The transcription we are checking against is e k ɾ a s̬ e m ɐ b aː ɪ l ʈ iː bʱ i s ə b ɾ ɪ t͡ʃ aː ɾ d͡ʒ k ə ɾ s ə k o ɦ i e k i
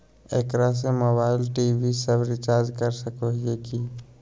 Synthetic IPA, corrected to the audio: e k ɾ a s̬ e m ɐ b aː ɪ l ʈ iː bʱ i s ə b ɾ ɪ t͡ʃ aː ɾ d͡ʒ k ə ɾ s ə k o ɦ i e k i